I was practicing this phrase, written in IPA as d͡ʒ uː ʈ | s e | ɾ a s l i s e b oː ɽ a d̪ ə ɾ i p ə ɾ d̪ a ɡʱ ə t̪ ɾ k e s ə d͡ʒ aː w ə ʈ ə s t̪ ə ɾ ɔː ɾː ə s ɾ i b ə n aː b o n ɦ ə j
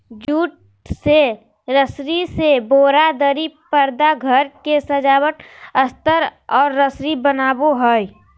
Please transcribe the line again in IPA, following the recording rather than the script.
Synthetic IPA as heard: d͡ʒ uː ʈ | s e | ɾ ə s ɾ i s e b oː ɾ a d̪ ə ɾ i p ə ɾ d̪ a ɡʱ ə ɾ k e s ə d͡ʒ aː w ə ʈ ə s t̪ ə ɾ ɔː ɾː ə s ɾ i b ə n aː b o ɦ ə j